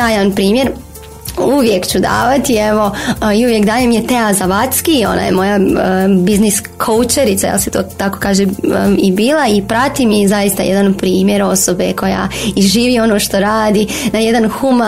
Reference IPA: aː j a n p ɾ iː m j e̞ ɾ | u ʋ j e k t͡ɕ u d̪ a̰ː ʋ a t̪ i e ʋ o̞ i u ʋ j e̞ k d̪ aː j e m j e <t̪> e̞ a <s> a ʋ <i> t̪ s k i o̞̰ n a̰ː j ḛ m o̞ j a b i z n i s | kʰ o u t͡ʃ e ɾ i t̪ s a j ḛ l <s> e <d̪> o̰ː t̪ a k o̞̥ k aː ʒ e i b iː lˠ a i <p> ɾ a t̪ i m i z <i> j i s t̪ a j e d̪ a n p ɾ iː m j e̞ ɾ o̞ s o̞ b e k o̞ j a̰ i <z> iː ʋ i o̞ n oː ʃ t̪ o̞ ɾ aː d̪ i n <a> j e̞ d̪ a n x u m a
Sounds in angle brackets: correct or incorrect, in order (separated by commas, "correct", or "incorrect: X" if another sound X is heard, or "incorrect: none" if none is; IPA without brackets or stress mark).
correct, incorrect: z, incorrect: a, correct, incorrect: t̪, correct, incorrect: a, incorrect: ʒ, correct